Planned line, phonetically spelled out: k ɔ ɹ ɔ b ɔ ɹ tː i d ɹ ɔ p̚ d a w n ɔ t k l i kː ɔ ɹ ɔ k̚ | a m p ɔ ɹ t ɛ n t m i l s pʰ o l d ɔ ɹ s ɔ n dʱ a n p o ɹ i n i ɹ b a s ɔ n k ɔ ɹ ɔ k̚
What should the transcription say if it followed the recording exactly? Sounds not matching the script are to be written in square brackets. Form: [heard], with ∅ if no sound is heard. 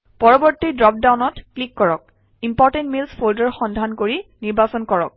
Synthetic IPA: [p] ɔ ɹ ɔ b ɔ ɹ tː i d ɹ ɔ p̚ d a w n ɔ t k l i kː ɔ ɹ ɔ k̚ | [i] m p ɔ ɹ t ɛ n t m i l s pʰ o l d ɔ ɹ [x] ɔ n dʱ a n [k] o ɹ i n i ɹ b a s ɔ n k ɔ ɹ ɔ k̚